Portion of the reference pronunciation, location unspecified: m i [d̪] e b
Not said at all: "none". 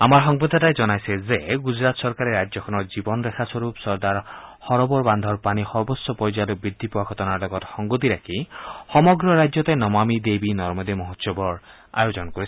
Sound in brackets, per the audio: d̪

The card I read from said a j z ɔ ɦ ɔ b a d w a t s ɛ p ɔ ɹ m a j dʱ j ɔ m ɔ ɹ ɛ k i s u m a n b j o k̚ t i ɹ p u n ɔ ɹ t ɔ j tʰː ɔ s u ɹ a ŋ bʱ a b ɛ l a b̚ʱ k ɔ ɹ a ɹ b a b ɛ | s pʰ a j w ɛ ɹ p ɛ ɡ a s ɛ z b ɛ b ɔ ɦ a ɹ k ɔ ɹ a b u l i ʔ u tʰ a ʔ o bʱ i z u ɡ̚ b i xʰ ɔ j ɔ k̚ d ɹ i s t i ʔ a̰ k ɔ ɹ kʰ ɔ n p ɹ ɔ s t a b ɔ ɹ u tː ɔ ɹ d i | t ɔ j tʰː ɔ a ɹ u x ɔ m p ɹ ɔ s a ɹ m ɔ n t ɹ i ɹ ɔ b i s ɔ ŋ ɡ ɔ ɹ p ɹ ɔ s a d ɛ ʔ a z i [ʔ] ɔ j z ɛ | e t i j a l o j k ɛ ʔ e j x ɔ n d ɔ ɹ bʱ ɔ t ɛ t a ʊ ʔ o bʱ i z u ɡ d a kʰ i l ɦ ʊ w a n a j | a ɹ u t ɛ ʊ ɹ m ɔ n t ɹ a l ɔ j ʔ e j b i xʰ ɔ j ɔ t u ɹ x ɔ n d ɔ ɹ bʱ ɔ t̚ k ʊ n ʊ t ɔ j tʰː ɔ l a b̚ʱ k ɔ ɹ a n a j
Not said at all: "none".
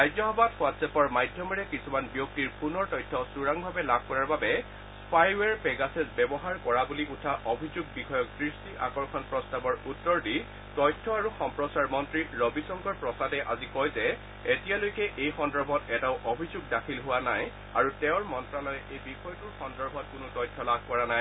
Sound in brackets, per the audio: k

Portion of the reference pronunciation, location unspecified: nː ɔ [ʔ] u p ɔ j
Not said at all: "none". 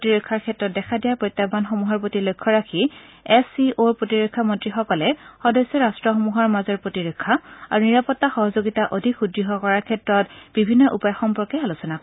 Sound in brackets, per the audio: ʔ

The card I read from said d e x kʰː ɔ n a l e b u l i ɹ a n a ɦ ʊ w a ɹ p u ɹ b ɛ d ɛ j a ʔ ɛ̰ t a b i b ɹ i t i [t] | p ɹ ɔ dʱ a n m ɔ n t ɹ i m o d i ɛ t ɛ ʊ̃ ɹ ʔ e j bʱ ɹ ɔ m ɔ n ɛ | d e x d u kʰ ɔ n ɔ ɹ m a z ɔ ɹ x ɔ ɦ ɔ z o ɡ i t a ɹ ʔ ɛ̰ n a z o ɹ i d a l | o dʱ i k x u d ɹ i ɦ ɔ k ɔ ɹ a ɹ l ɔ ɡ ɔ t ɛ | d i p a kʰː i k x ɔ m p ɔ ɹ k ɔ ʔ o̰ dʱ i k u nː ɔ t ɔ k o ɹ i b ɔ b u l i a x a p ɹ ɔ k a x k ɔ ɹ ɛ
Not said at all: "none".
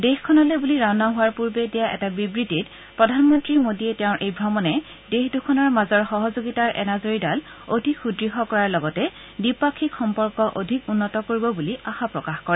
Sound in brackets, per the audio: t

